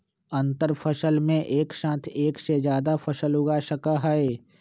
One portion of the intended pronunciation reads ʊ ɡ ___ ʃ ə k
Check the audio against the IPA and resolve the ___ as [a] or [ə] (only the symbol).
a